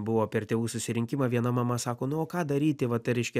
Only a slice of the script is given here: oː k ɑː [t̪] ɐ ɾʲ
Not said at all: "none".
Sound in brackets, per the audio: d̪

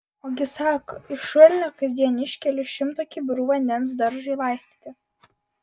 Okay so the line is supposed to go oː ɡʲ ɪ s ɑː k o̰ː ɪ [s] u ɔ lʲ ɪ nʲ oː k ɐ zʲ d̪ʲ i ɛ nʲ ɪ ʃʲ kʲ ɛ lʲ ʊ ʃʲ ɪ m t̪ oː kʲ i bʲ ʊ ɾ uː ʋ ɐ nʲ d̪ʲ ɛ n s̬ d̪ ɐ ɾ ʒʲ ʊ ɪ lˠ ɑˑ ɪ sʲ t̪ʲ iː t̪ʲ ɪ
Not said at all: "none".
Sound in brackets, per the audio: ʃ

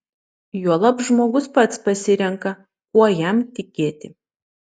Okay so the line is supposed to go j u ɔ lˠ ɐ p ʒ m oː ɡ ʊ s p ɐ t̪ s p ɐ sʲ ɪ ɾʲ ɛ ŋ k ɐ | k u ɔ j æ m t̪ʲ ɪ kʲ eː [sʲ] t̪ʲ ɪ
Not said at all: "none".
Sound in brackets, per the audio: none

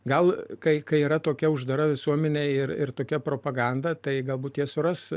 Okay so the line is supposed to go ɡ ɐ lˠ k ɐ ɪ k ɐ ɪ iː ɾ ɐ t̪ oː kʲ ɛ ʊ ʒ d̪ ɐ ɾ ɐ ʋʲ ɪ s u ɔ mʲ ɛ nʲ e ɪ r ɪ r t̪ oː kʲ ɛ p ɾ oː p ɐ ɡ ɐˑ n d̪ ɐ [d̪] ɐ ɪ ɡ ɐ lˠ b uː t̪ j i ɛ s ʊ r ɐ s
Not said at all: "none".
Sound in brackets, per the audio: t̪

